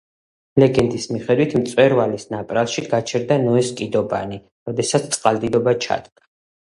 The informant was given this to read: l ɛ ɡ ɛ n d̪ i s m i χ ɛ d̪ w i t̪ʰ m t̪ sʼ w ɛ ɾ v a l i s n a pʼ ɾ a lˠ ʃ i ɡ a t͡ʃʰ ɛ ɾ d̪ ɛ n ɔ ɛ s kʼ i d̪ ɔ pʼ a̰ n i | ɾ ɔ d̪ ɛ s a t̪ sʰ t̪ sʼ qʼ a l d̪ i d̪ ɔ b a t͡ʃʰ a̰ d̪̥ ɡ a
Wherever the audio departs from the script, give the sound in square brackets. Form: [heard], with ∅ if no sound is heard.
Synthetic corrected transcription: l ɛ ɡ ɛ n d̪ i s m i χ ɛ d̪ w i t̪ʰ m t̪ sʼ w ɛ ɾ v a l i s n a pʼ ɾ a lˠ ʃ i ɡ a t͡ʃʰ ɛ ɾ d̪ [a] n ɔ ɛ s kʼ i d̪ ɔ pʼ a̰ n i | ɾ ɔ d̪ ɛ s a t̪ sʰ t̪ sʼ qʼ a l d̪ i d̪ ɔ b a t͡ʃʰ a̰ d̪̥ ɡ a